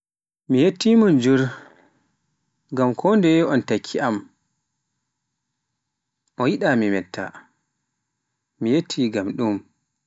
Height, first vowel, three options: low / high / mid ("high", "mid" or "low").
high